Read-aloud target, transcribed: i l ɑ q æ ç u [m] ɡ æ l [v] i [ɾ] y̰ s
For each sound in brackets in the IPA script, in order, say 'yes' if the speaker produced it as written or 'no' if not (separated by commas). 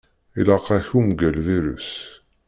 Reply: yes, yes, yes